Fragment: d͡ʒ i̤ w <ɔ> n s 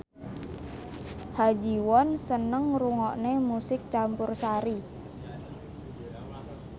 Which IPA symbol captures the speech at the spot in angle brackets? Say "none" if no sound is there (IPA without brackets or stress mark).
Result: ɔ